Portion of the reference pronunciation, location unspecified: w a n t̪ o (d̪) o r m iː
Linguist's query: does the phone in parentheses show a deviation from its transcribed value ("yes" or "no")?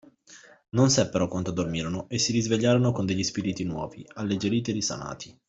no